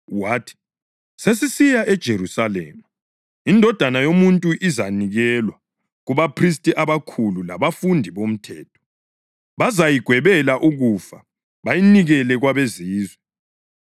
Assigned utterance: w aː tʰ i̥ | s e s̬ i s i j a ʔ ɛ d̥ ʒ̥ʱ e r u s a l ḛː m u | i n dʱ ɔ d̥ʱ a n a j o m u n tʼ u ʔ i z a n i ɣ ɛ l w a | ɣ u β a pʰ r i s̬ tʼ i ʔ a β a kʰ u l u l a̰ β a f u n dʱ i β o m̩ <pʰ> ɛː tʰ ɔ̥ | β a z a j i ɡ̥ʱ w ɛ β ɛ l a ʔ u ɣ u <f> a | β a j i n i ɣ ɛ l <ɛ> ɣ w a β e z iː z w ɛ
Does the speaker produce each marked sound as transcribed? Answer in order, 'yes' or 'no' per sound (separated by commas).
no, yes, yes